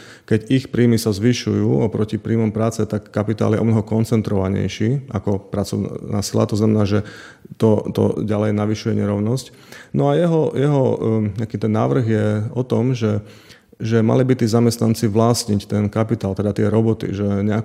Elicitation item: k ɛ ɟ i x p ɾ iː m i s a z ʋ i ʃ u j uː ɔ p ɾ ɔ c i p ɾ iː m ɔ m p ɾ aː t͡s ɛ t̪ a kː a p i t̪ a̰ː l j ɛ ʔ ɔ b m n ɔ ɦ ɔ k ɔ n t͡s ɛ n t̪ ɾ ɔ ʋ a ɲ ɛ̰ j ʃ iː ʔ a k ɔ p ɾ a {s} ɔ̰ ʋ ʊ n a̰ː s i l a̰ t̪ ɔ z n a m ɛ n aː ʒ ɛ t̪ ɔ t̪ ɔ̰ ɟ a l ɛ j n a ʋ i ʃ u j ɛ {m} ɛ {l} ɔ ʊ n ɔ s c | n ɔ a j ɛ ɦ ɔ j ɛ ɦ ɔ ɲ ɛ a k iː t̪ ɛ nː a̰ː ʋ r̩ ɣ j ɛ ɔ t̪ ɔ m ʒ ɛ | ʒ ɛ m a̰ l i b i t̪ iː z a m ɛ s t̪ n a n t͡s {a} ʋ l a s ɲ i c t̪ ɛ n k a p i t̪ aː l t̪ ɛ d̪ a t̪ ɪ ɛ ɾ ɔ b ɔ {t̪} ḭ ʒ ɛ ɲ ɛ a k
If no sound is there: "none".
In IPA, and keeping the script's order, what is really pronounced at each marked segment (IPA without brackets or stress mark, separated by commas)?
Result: t͡s, ɲ, ɾ, i, t̪